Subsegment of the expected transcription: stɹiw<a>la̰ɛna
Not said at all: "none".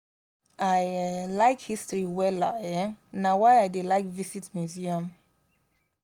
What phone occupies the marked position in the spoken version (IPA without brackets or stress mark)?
ɛ